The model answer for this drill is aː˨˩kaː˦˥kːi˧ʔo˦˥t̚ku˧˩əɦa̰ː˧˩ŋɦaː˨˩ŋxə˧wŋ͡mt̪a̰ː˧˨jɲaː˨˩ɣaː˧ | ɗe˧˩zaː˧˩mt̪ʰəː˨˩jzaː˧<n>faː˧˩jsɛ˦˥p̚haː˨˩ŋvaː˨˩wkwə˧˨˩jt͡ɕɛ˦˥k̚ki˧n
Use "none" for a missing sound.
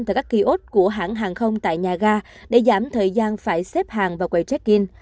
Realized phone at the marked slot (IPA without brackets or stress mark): n